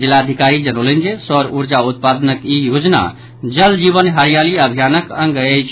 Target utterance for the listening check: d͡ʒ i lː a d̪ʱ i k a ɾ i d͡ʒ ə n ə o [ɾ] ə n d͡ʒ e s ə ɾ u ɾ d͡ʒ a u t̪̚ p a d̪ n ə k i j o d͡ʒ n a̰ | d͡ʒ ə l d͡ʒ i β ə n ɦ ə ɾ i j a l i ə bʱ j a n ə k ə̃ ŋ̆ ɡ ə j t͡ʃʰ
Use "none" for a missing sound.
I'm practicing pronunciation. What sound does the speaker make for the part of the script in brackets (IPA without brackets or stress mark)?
l